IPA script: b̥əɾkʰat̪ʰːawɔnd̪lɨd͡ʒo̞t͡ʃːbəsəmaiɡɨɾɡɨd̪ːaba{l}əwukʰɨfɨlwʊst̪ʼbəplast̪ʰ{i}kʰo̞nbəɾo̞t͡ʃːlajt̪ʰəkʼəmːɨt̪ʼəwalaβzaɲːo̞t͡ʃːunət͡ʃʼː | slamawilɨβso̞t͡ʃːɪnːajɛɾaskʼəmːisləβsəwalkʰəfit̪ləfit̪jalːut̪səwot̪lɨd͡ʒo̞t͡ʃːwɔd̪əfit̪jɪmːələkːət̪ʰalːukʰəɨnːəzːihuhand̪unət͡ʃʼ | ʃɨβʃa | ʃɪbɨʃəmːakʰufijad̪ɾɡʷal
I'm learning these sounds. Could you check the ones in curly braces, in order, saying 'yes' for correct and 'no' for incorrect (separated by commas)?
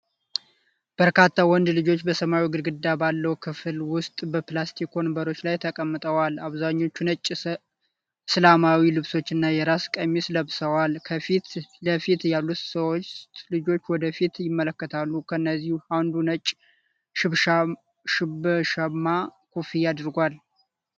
no, yes